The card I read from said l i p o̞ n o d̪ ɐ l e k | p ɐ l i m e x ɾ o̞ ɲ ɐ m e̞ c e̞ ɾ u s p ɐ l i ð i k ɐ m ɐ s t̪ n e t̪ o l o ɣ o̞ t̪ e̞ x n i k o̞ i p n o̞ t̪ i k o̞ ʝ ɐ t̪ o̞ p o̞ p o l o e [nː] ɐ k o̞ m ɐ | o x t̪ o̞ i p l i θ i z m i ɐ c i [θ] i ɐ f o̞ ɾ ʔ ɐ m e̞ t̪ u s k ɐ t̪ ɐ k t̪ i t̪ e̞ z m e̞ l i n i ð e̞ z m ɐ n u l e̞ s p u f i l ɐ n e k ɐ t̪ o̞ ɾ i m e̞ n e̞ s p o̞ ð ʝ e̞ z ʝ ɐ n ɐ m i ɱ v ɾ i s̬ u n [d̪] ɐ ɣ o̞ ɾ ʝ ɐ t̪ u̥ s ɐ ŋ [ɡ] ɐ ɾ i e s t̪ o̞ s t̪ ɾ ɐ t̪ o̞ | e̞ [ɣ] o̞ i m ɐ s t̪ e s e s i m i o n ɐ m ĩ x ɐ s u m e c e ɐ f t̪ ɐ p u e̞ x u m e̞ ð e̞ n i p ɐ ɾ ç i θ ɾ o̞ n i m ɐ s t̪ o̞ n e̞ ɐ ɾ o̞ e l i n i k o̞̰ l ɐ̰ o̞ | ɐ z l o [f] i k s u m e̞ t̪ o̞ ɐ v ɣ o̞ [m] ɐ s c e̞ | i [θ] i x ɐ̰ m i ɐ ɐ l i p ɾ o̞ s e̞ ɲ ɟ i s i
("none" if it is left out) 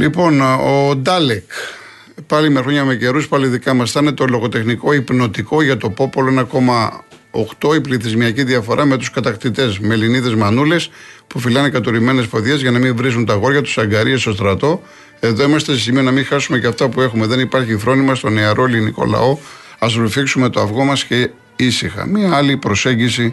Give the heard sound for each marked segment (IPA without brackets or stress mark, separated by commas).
n, ð, t̪, ɡ, ð, f, m, s